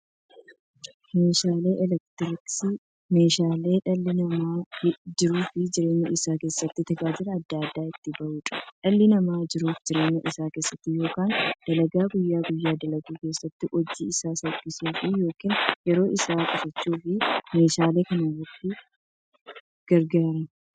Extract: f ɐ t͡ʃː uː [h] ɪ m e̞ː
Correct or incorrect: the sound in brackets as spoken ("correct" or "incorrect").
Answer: incorrect